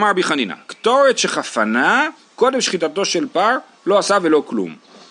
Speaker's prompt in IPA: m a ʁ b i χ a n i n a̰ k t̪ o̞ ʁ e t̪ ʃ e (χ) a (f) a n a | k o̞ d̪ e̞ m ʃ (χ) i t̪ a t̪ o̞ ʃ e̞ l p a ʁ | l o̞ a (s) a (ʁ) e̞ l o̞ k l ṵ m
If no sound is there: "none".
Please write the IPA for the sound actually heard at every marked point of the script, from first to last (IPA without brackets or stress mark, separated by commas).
χ, f, χ, s, v